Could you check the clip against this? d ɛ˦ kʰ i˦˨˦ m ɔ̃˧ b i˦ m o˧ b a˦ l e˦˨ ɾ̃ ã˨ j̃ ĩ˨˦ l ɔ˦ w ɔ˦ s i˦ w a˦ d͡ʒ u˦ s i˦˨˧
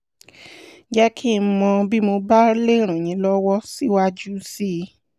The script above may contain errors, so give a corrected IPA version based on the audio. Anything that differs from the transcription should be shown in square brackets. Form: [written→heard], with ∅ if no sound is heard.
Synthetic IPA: [d→d͡ʒ] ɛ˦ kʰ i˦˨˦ m ɔ̃˧ b i˦ m o˧ b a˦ l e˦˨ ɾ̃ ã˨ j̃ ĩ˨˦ l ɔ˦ w ɔ˦ s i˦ w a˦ d͡ʒ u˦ s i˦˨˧